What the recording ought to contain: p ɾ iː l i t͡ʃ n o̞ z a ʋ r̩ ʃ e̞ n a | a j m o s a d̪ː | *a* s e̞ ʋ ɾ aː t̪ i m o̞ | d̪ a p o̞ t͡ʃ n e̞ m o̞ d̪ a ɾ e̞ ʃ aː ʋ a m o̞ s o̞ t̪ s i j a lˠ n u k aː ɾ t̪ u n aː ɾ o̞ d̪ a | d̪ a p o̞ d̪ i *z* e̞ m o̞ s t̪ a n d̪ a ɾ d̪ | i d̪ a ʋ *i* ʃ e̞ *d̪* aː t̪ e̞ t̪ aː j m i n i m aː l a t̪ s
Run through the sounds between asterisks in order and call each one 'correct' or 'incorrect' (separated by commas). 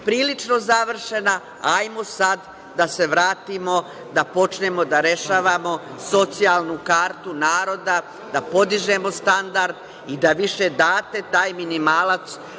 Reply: correct, incorrect, correct, correct